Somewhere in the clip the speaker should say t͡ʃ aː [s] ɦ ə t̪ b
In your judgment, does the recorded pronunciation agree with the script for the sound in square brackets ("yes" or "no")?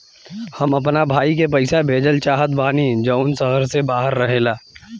no